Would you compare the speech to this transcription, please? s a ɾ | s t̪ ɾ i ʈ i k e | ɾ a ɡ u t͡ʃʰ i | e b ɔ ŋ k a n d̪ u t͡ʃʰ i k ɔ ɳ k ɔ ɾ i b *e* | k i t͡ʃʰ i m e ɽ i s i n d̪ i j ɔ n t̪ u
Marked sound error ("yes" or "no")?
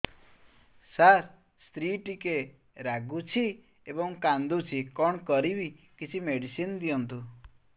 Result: yes